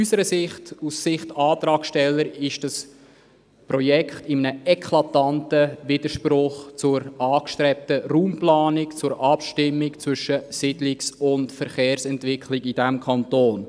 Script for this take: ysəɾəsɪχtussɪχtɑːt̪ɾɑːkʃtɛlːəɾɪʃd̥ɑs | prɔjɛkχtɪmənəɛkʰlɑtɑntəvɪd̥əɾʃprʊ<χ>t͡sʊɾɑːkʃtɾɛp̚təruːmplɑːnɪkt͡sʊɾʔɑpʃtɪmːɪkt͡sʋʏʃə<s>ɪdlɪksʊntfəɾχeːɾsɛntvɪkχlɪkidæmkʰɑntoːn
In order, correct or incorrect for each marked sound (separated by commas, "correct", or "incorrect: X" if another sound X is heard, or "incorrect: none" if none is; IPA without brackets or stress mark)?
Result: correct, correct